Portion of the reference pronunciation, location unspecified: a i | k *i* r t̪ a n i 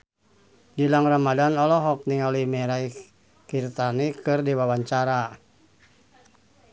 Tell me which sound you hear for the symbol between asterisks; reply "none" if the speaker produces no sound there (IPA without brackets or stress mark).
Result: i